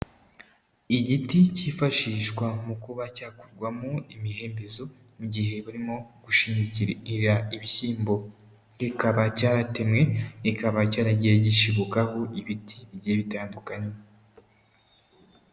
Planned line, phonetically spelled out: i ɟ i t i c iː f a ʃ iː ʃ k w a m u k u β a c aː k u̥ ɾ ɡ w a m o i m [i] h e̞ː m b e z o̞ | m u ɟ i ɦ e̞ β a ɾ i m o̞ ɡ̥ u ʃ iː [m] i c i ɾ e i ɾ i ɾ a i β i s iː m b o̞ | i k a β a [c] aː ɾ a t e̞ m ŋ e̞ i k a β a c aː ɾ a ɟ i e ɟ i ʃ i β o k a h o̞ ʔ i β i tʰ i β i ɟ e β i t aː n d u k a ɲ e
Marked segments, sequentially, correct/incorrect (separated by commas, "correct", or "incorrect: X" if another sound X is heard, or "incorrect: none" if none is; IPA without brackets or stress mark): correct, incorrect: ɲ, correct